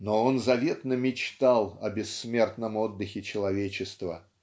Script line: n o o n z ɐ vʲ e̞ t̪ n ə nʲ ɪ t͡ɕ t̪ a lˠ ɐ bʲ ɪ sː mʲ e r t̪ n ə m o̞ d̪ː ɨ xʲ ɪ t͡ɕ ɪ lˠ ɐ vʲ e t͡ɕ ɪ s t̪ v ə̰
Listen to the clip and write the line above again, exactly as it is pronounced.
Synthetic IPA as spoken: n o o n z ɐ vʲ e̞ t̪ n ə mʲ ɪ t͡ɕ t̪ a lˠ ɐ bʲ ɪ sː mʲ e r t̪ n ə m o̞ d̪ː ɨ xʲ ɪ t͡ɕ ɪ lˠ ɐ vʲ e t͡ɕ ɪ s t̪ v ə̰